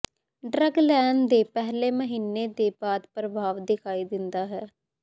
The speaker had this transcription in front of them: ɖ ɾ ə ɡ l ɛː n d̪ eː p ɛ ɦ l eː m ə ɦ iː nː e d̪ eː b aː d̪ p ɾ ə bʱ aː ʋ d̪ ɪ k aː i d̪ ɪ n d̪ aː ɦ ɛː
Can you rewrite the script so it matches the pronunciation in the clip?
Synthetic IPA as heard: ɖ ɾ ə ɡ l ɛː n d̪ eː p ɛ ɦ l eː m ə ɦ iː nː e d̪ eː b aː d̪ p ɾ ə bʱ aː ʋ d̪ ɪ kʰ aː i d̪ ɪ n d̪ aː ɦ ɛː